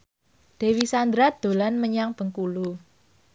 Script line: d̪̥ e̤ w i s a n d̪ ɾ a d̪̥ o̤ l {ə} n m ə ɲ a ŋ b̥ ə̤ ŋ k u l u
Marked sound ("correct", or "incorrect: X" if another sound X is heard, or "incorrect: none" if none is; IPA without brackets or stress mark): incorrect: a